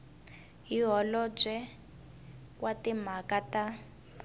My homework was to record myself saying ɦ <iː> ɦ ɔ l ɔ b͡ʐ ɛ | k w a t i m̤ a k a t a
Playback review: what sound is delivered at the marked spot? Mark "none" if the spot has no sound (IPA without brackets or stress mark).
i